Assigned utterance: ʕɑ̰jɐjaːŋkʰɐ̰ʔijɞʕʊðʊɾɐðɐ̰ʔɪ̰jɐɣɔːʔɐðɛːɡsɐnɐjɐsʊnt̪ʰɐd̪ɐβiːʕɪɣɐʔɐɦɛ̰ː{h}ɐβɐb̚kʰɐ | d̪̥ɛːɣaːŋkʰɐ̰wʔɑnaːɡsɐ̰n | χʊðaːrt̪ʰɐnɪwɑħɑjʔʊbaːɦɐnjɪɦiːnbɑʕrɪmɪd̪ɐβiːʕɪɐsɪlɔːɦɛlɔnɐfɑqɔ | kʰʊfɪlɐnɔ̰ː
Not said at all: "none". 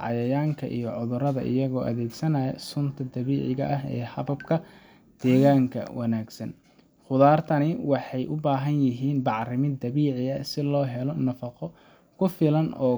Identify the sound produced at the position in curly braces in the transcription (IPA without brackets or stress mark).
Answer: h